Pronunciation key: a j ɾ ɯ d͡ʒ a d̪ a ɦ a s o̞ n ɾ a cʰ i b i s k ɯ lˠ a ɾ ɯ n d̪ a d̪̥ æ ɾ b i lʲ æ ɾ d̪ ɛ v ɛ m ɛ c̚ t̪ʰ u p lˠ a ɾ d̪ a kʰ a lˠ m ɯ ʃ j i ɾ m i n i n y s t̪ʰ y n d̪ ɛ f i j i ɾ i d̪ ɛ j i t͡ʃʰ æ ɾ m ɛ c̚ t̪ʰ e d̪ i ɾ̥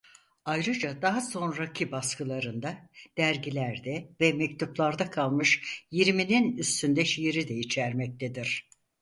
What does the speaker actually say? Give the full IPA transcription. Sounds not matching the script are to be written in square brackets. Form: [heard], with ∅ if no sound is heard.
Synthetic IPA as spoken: a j ɾ ɯ d͡ʒ a d̪ a ɦ a s o̞ n ɾ a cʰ i b [a] s k ɯ lˠ a ɾ ɯ n d̪ a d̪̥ æ ɾ [ɟ] i lʲ æ ɾ d̪ ɛ v ɛ m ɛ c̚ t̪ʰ u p lˠ a ɾ d̪ a kʰ a lˠ m ɯ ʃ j i ɾ m i n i n y s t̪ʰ y n d̪ ɛ [ʃ] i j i ɾ i d̪ ɛ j i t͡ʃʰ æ ɾ m ɛ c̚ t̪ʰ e d̪ i ɾ̥